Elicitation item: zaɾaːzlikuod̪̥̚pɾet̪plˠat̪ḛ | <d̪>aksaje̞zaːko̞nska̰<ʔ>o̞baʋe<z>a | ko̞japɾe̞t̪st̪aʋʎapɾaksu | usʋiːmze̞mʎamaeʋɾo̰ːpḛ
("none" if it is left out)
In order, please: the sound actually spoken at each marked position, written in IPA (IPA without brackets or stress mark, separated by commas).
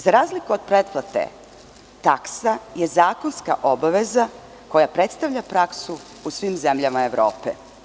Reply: t̪, ʔ, z